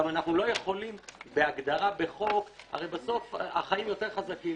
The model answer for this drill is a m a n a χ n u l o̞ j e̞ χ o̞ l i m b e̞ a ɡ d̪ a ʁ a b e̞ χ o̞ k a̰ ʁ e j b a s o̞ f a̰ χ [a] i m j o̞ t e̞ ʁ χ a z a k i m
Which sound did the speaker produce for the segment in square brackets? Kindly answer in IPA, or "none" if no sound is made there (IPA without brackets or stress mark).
a